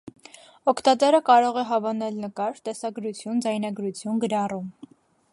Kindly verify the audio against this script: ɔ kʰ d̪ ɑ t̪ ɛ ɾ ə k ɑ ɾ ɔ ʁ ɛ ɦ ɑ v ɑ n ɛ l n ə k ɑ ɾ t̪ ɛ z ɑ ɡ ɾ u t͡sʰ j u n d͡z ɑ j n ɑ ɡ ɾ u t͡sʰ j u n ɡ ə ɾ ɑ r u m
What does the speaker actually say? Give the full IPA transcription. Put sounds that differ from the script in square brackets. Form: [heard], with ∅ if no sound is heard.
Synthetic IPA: ɔ kʰ [t̪] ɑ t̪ ɛ ɾ ə k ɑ ɾ ɔ ʁ ɛ ɦ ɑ v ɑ n ɛ l n ə k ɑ ɾ t̪ ɛ [s] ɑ ɡ ɾ u t͡sʰ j u n d͡z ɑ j n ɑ ɡ ɾ u t͡sʰ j u n ɡ ə ɾ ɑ r u m

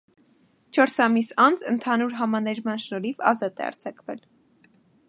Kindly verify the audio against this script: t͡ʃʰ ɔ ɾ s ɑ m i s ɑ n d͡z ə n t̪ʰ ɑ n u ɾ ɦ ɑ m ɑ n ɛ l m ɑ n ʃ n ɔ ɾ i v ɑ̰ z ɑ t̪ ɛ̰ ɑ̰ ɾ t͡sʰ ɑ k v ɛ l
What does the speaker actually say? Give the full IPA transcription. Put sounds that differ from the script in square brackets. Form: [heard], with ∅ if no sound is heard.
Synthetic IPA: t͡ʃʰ ɔ ɾ s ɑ m i s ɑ n d͡z ə n t̪ʰ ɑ n u ɾ ɦ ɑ m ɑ n ɛ [ɾ] m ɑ n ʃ n ɔ ɾ i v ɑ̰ z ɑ t̪ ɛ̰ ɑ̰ ɾ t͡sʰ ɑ k v ɛ l

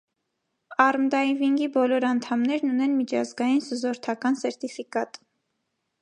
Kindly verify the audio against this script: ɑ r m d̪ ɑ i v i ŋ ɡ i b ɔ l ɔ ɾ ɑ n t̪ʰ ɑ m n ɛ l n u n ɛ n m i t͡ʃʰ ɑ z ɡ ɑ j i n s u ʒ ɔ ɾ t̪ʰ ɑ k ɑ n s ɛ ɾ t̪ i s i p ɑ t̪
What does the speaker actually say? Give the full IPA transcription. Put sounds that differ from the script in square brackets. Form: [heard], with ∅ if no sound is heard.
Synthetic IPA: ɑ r m d̪ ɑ i v i ŋ ɡ i b ɔ l ɔ ɾ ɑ n t̪ʰ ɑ m n ɛ [ɾ] n u n ɛ n m i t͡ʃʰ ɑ z ɡ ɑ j i n s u [z] ɔ ɾ t̪ʰ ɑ k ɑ n s ɛ ɾ t̪ i [f] i [k] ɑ t̪

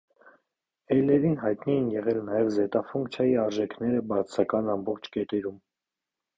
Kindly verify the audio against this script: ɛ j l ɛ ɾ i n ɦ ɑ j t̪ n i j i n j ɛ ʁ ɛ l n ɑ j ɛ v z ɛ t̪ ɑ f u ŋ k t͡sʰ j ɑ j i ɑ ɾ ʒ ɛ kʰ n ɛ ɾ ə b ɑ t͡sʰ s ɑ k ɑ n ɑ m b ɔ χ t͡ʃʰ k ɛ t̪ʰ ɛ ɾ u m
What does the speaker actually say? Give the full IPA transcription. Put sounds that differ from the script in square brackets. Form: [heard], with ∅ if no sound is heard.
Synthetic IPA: ɛ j l ɛ ɾ i n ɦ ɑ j t̪ n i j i n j ɛ ʁ ɛ l n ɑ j ɛ v z ɛ t̪ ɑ f u ŋ k t͡sʰ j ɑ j i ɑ ɾ ʒ ɛ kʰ n ɛ ɾ ə b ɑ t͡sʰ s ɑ k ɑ n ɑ m b ɔ χ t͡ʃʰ k ɛ [t̪] ɛ ɾ u m

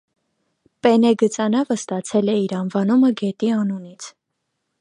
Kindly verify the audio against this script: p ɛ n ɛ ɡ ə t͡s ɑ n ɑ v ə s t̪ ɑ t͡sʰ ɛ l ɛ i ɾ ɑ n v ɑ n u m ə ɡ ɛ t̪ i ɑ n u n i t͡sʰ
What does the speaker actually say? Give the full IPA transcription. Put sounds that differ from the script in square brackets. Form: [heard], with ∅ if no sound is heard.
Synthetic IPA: p ɛ n ɛ ɡ ə t͡s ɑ n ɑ v ə s t̪ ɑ t͡sʰ ɛ l ɛ i ɾ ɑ n v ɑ n u m ə ɡ ɛ t̪ i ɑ n u n i t͡sʰ

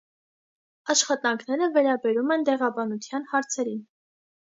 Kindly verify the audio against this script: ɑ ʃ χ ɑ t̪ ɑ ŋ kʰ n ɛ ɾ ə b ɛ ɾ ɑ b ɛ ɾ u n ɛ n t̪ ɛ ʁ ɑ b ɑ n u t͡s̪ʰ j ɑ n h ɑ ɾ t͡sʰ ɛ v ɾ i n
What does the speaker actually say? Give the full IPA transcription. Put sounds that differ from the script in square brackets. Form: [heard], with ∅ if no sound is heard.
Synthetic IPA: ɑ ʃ χ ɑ t̪ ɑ ŋ kʰ n ɛ ɾ ə [v] ɛ ɾ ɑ b ɛ ɾ u [m] ɛ n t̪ ɛ ʁ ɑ b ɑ n u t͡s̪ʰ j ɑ n h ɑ ɾ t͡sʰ ɛ [∅] ɾ i n

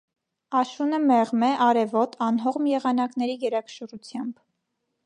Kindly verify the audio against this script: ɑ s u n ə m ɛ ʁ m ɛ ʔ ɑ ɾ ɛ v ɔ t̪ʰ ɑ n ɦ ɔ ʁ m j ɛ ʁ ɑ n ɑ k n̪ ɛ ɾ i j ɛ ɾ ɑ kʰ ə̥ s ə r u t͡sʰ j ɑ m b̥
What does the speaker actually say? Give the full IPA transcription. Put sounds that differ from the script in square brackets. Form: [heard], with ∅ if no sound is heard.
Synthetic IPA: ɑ [ʃ] u n ə m ɛ ʁ m ɛ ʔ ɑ ɾ ɛ v ɔ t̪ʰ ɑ n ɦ ɔ ʁ m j ɛ ʁ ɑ n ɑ k n̪ ɛ ɾ i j ɛ ɾ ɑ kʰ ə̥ [ʃ] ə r u t͡sʰ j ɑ m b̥

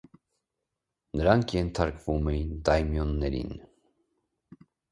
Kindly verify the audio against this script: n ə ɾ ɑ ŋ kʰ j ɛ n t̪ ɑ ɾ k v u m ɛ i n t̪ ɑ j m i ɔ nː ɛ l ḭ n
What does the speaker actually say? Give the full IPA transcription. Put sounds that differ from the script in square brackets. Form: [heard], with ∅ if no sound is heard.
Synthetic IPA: n ə ɾ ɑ ŋ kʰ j ɛ n [t̪ʰ] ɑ ɾ k v u m ɛ i n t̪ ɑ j m [j] ɔ nː ɛ [ɾ] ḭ n

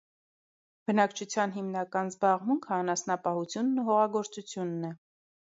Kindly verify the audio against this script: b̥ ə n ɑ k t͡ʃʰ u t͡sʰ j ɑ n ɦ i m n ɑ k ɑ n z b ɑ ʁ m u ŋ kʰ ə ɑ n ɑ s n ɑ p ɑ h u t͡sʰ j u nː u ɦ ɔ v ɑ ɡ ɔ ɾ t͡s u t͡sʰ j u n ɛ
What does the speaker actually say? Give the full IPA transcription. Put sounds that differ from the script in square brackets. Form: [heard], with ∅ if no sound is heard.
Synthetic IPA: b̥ ə n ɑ k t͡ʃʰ u t͡sʰ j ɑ n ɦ i m n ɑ k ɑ n z b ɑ ʁ m u ŋ kʰ ə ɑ n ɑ s n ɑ p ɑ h u t͡sʰ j u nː u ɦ ɔ [ʁ] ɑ ɡ ɔ ɾ t͡s u t͡sʰ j u [nː] ɛ

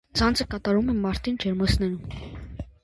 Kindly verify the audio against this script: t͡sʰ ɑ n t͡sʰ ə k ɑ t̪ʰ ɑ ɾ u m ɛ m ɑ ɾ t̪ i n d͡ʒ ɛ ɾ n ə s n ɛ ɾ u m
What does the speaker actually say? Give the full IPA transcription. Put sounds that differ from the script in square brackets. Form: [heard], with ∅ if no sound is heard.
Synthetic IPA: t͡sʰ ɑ n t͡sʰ ə k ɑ [t̪] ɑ ɾ u m ɛ m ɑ ɾ t̪ i n d͡ʒ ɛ ɾ [m] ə s n ɛ ɾ u m

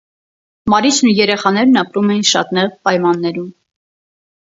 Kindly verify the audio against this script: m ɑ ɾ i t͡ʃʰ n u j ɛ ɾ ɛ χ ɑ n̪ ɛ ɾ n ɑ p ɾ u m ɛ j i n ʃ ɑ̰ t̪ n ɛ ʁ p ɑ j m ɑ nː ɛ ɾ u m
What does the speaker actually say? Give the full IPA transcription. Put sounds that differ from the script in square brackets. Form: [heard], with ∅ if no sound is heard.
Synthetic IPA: m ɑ ɾ i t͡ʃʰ n u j ɛ ɾ ɛ χ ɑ n̪ ɛ ɾ n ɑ p ɾ u m ɛ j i n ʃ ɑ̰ t̪ n ɛ ʁ p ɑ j m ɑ nː ɛ ɾ u m

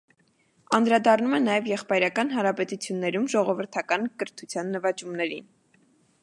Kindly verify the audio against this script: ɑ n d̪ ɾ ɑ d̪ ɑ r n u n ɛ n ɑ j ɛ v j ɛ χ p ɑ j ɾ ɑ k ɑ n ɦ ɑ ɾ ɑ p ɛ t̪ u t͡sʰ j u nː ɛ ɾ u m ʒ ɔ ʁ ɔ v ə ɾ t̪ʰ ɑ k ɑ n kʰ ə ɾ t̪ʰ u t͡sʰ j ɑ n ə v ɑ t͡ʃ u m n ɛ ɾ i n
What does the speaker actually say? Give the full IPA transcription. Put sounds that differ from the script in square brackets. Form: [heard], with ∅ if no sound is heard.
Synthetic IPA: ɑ n d̪ ɾ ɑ d̪ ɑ r n u [m] ɛ n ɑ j ɛ v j ɛ χ p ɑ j ɾ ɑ k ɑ n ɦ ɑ ɾ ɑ p ɛ t̪ u t͡sʰ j u nː ɛ ɾ u m ʒ ɔ ʁ ɔ v ə ɾ t̪ʰ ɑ k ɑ n [k] ə ɾ t̪ʰ u t͡sʰ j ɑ [nː] ə v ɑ t͡ʃ u m n ɛ ɾ i n

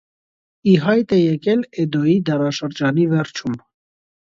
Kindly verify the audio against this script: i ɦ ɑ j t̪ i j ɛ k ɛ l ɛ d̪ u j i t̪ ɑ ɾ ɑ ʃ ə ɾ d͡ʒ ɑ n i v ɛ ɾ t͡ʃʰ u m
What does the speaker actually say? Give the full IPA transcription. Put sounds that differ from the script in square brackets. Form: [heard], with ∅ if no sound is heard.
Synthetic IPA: i ɦ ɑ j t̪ [ɛ] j ɛ k ɛ l ɛ d̪ [ɔ] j i [d̪] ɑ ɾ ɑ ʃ ə ɾ d͡ʒ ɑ n i v ɛ ɾ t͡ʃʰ u m

